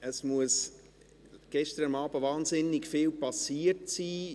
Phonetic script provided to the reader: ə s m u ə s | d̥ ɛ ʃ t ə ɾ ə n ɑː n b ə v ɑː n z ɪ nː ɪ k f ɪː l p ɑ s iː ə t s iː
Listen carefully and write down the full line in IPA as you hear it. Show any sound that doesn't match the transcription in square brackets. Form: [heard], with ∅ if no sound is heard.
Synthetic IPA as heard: ə s m u ə s | [ɡ̥] ɛ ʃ t ə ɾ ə [m] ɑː [∅] b ə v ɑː n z ɪ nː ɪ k f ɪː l p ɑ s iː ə t s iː